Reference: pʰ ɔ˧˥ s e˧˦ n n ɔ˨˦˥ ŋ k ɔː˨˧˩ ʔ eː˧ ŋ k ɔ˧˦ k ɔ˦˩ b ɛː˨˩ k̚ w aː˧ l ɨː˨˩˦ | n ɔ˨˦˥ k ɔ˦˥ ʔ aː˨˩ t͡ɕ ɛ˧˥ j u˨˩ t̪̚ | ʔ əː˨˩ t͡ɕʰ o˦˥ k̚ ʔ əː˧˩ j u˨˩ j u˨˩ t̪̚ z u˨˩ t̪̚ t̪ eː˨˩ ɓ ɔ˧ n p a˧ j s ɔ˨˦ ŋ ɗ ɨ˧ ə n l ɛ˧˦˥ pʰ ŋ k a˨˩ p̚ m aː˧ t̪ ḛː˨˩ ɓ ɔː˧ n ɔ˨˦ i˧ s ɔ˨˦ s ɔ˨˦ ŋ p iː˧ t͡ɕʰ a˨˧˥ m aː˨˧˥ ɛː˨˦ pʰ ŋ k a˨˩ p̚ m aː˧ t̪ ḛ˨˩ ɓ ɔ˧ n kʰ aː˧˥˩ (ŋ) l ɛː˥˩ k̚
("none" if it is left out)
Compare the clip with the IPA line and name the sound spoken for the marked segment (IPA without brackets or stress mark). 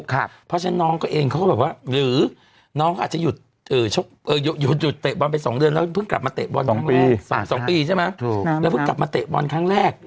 ŋ